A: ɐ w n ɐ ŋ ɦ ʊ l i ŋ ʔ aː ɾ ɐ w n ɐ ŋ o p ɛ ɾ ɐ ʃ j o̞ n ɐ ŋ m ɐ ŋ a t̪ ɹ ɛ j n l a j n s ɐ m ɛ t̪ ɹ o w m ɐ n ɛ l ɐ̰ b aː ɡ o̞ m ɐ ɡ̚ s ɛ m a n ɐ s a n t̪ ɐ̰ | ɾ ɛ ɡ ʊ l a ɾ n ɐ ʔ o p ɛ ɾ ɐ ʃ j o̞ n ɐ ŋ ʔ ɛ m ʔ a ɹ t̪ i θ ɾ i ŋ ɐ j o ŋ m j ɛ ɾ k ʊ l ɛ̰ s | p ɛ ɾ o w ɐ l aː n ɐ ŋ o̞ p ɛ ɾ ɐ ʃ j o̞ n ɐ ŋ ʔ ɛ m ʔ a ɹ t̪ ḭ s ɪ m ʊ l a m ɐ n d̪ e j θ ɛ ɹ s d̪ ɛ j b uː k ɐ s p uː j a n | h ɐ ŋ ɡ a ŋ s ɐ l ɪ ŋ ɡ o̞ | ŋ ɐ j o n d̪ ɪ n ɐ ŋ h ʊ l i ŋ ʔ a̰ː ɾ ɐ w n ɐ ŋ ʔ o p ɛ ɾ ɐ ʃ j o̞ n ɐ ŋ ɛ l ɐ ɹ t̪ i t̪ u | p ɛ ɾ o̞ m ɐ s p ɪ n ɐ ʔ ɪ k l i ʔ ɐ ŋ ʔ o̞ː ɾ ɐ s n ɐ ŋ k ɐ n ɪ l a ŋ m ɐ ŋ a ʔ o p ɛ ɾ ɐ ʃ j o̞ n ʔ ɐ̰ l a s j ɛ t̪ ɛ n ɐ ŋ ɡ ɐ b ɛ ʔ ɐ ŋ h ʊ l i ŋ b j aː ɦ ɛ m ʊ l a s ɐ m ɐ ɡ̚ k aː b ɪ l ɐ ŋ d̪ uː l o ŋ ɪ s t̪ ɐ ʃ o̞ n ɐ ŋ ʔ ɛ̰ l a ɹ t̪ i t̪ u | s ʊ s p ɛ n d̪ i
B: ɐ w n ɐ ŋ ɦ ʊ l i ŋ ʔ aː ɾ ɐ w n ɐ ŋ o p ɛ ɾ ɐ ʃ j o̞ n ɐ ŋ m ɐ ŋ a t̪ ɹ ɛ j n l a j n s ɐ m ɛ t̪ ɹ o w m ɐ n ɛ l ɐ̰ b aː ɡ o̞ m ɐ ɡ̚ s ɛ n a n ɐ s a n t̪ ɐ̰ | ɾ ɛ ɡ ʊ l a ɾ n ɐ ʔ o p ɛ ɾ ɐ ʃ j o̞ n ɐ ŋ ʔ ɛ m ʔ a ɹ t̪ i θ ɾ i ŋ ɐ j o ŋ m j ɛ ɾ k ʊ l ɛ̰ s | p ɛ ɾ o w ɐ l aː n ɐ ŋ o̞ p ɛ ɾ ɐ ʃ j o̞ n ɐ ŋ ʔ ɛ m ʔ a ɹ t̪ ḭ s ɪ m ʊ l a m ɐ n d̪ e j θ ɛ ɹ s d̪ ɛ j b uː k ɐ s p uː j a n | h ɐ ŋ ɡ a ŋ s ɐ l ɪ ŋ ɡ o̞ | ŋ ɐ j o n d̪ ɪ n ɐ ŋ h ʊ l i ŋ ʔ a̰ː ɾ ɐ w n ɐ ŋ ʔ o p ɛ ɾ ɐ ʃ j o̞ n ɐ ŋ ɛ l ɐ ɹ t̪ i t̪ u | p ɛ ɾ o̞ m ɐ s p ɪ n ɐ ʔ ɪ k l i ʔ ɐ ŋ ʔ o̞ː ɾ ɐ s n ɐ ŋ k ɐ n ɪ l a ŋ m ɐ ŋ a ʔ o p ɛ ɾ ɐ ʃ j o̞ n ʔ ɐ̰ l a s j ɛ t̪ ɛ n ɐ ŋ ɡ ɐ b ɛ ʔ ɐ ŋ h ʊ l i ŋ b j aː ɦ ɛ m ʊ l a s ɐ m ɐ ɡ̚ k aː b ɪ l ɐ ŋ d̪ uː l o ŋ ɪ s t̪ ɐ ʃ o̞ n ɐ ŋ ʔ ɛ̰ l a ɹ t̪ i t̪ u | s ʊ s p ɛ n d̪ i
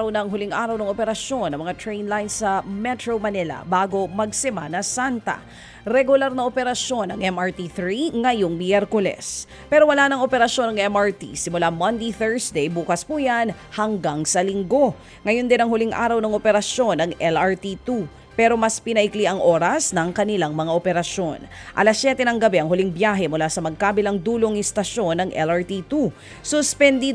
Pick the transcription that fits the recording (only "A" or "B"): A